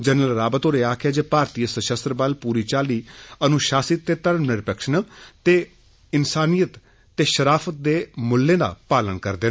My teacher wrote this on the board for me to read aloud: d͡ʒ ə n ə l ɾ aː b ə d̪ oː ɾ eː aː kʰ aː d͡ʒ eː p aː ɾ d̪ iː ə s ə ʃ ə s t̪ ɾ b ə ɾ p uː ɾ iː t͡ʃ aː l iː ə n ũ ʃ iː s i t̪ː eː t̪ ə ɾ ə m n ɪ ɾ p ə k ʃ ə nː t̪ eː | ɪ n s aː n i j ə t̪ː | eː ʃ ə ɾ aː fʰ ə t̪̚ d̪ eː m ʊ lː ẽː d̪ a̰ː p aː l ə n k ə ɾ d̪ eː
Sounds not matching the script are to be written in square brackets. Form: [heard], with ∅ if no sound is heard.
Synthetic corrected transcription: d͡ʒ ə n ə l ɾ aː b ə [t̪] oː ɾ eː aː kʰ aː d͡ʒ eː p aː ɾ [t̪] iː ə s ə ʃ ə s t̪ ɾ b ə [l] p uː ɾ iː t͡ʃ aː l iː ə n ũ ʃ [aː] s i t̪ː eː t̪ ə ɾ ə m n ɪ ɾ p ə k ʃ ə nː t̪ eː | ɪ n s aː n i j ə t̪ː | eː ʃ ə ɾ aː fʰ ə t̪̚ d̪ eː m ʊ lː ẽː d̪ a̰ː p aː l ə n k ə ɾ d̪ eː